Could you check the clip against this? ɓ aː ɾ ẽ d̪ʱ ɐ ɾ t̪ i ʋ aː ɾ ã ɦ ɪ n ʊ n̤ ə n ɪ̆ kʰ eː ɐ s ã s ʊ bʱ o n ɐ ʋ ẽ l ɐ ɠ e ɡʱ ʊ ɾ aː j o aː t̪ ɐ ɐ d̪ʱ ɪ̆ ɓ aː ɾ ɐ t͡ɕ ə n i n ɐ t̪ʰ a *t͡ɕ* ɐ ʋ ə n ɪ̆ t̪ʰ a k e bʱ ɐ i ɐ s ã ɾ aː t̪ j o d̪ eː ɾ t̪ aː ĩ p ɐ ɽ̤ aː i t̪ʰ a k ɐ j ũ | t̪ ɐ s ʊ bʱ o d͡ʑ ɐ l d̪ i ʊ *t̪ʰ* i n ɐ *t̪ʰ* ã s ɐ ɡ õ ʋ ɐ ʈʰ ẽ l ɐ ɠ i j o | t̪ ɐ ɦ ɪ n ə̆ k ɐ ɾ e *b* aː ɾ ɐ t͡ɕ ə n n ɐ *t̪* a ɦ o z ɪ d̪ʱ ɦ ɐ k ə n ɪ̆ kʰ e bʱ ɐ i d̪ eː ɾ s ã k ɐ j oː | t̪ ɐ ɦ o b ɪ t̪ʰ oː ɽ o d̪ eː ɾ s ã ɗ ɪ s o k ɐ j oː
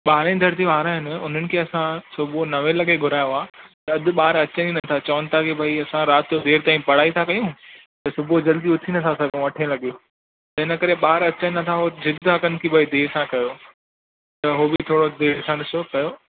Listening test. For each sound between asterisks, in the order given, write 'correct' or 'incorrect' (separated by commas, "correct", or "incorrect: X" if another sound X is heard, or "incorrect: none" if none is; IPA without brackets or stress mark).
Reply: correct, correct, correct, incorrect: ɓ, incorrect: t̪ʰ